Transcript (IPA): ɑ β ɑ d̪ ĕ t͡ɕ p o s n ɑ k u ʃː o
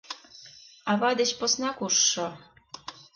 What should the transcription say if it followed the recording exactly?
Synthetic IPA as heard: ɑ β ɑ d̪ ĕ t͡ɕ p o s n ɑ k u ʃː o

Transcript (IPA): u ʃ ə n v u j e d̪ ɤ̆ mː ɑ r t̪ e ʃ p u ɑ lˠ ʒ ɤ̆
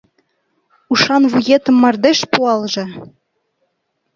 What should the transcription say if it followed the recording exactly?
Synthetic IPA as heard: u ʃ ɑ n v u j e t̪ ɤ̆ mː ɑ r d̪ e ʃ p u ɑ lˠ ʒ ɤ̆

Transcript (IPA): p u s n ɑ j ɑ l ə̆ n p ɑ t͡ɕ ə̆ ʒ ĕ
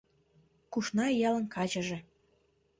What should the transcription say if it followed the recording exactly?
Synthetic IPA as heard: k u ʃ n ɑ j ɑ l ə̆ n k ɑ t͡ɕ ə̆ ʒ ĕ

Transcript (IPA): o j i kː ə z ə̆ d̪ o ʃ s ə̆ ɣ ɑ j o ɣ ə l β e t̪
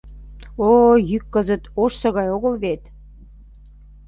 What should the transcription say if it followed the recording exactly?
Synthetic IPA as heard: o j y kː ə z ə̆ t̪ o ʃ s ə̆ ɣ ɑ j o ɣ ə l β e t̪

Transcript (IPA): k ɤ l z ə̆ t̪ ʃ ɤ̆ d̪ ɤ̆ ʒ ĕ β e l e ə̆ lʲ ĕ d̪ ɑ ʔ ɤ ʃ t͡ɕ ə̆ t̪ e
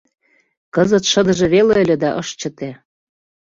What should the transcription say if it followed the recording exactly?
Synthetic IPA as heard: k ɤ z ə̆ t̪ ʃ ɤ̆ d̪ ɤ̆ ʒ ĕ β e l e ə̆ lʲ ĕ d̪ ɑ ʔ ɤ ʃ t͡ɕ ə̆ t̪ e

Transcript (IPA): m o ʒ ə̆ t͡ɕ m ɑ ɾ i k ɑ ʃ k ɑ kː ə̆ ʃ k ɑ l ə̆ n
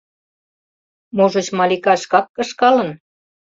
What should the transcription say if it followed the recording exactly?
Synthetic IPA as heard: m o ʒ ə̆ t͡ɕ m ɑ l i k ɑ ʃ k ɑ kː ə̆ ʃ k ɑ l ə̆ n

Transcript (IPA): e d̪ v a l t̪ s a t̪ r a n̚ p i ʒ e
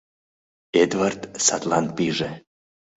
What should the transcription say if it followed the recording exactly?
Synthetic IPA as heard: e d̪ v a r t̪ s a t̪ l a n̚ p i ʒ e

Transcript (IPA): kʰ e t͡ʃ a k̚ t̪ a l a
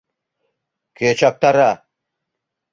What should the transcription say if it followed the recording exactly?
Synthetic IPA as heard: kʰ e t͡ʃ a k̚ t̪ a ɾ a

